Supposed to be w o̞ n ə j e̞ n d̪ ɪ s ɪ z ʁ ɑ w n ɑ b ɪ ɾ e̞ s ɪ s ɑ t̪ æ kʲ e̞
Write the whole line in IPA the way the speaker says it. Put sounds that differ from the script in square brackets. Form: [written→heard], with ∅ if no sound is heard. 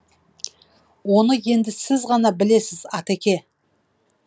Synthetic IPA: w o̞ n ə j e̞ n d̪ ɪ s ɪ z ʁ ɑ [w→∅] n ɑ b ɪ [ɾ→l] e̞ s ɪ [s→z] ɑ t̪ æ kʲ e̞